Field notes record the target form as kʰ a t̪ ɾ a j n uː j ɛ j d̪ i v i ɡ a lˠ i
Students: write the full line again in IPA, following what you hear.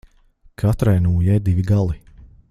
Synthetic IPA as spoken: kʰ a t̪ ɾ a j n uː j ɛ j d̪ i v i ɡ a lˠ i